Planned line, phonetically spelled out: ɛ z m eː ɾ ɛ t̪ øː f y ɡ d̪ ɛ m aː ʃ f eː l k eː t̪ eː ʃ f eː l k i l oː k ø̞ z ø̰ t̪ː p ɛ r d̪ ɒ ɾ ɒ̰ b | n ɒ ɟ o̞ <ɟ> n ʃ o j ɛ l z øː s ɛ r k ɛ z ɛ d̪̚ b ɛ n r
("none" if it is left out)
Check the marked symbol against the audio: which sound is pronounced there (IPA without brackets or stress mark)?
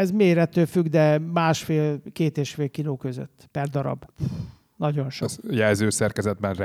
none